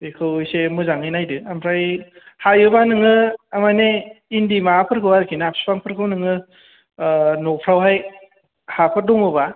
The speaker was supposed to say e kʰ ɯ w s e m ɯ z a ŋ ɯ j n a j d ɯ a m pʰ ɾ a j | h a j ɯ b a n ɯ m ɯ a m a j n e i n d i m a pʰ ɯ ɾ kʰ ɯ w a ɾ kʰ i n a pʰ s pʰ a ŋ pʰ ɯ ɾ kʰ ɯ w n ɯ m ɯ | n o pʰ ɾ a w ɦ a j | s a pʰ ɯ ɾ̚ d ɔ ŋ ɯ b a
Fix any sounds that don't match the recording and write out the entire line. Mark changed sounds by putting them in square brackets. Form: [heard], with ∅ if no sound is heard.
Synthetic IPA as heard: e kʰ ɯ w s e m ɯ z a ŋ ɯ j n a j d ɯ a m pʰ ɾ a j | h a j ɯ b a n ɯ [ŋ] ɯ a m a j n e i n d i m a pʰ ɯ ɾ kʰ ɯ w a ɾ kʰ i n a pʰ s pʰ a ŋ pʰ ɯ ɾ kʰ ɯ w n ɯ [ŋ] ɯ | n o pʰ ɾ a w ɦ a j | [h] a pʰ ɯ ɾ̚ d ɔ ŋ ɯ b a